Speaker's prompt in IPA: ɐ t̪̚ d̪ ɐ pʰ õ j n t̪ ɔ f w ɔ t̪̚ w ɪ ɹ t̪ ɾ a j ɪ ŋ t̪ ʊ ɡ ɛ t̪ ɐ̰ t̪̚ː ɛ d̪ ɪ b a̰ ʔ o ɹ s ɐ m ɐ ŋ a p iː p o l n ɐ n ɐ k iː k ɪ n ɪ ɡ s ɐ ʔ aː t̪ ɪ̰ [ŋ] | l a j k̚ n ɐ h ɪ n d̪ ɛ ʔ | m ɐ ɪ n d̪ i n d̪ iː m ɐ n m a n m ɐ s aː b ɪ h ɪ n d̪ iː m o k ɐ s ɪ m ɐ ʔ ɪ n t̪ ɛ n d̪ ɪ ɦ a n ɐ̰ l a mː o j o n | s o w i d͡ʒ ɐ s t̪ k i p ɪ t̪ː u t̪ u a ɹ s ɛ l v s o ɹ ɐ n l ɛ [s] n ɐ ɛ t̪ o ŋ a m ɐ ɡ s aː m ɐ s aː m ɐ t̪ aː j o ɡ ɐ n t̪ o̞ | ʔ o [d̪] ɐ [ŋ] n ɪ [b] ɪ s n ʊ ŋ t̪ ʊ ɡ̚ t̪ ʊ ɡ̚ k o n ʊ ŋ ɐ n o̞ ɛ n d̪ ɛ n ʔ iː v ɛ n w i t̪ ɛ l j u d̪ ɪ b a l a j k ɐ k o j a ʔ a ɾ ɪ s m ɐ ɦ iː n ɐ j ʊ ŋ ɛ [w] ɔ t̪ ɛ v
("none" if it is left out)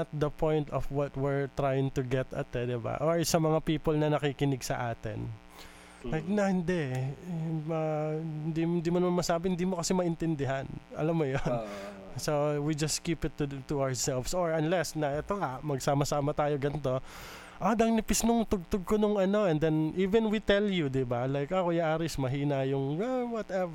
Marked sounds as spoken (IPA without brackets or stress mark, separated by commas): n, s, d̪, ŋ, p, w